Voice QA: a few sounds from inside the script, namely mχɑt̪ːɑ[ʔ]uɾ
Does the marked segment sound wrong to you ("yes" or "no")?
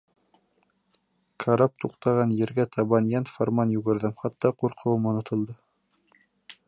yes